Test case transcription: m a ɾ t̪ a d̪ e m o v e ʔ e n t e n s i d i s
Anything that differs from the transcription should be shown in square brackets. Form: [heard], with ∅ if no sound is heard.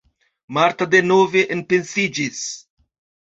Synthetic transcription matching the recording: m a ɾ t̪ a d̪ e [n] o v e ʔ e n [p] e n s i [d͡ʒ] i s